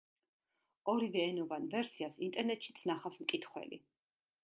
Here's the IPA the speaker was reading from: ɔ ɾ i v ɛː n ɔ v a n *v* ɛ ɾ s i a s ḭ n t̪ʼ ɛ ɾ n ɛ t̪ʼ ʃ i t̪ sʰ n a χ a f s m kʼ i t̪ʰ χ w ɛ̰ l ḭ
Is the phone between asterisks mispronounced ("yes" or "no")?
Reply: no